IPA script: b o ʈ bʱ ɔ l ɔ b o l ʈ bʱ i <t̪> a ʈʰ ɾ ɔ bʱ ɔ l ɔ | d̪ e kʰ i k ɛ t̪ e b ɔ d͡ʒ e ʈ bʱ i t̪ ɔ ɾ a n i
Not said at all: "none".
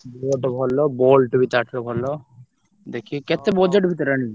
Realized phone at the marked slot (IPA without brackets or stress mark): t̪